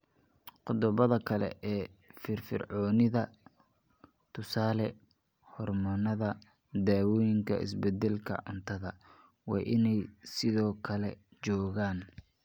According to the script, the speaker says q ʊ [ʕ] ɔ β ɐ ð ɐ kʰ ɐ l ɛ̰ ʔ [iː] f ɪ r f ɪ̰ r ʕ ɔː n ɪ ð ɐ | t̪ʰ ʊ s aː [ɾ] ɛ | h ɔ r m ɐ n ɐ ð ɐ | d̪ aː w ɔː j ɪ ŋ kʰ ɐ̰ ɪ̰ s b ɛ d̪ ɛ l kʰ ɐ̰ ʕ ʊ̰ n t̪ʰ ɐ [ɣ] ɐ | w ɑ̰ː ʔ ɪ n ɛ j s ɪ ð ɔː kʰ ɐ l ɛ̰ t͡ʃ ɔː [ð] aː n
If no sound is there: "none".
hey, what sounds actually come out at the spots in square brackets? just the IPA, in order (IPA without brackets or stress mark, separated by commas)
ð, ɛː, l, ð, ɣ